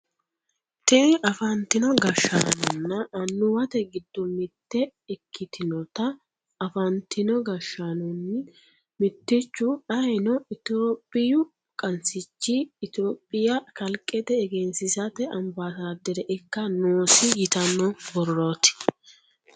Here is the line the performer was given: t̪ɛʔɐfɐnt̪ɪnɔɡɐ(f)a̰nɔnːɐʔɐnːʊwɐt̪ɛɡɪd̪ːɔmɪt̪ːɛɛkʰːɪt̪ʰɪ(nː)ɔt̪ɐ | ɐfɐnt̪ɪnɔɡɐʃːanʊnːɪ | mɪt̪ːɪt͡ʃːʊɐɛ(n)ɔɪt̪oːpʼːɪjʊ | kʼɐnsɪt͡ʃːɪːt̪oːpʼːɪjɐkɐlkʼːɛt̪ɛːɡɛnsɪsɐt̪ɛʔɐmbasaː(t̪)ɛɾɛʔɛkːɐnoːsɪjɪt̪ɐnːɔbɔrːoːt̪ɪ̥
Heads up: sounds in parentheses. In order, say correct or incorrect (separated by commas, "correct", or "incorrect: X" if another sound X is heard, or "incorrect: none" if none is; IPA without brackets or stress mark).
incorrect: ʃ, incorrect: n, correct, incorrect: d̪